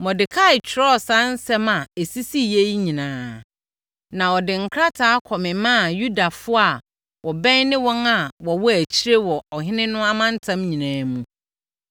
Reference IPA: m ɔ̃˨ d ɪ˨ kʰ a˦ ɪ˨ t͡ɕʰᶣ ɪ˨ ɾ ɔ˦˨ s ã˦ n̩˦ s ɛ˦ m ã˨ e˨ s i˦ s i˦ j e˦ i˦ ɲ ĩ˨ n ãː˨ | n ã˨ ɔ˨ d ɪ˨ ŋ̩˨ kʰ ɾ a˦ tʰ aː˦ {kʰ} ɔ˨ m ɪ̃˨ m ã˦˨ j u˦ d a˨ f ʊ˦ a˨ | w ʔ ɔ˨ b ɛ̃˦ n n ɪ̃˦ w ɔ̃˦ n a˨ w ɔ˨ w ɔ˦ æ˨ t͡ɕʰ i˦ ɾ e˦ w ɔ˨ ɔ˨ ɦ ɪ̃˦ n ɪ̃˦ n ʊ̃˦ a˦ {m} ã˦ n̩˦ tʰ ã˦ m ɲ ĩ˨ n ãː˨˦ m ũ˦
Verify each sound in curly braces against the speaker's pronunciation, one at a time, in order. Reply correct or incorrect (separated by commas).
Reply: correct, correct